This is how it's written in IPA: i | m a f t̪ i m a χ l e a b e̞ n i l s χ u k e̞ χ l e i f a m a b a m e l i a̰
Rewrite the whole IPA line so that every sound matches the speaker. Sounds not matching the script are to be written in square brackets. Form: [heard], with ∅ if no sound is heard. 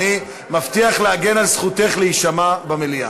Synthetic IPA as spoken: i | m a f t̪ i [∅] a χ l e a [ɡ] e̞ n [a] l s χ u [t] e̞ χ l e i [ʃ] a m a b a m e l i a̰